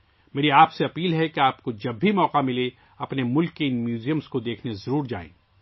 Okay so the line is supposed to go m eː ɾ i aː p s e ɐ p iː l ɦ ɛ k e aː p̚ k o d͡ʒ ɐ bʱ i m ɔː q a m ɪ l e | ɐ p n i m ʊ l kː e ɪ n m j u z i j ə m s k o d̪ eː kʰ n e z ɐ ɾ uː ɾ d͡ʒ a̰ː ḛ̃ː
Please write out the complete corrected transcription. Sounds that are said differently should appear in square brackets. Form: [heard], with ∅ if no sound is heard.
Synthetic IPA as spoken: m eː ɾ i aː p s e ɐ p iː l ɦ ɛ k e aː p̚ k o d͡ʒ ɐ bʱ i m ɔː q a m ɪ l e | ɐ p n [e] m ʊ l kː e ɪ n m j [uː] z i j ə m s k o d̪ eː kʰ n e z ɐ ɾ uː ɾ d͡ʒ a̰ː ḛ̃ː